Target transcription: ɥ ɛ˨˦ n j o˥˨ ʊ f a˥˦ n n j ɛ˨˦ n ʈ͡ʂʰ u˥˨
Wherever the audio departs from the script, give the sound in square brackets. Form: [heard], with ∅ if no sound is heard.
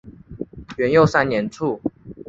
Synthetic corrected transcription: ɥ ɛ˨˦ n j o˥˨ ʊ [s] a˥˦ n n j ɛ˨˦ n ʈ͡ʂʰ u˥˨